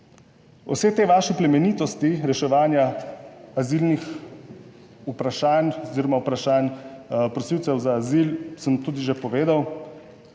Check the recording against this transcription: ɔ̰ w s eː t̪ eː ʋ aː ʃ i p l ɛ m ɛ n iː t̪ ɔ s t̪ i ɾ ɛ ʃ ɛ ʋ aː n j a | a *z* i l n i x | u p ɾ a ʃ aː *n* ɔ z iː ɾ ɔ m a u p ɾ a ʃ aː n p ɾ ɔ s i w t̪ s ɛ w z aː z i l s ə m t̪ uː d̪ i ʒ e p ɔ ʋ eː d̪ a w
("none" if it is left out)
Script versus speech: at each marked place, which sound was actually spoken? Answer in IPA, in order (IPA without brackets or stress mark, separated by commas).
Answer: z, n